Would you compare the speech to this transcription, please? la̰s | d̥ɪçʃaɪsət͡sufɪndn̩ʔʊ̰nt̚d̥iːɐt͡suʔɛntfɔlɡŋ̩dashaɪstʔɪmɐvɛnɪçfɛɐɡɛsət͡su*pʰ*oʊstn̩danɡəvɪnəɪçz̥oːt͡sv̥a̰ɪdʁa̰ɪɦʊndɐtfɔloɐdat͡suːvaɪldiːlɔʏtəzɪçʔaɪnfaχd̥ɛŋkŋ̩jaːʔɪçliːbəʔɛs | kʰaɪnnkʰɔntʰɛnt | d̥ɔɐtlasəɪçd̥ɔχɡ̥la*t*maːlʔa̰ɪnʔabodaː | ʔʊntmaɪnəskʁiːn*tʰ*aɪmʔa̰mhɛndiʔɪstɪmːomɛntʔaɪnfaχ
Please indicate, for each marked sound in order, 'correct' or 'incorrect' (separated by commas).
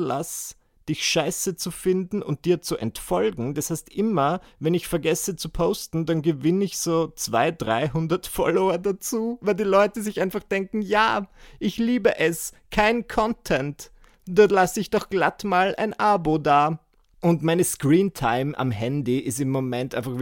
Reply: correct, correct, correct